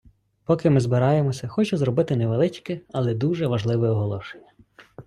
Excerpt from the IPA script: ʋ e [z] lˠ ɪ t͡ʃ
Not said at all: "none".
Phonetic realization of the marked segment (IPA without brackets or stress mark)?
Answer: none